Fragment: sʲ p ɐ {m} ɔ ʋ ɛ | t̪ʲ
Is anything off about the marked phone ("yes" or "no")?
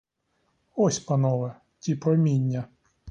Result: yes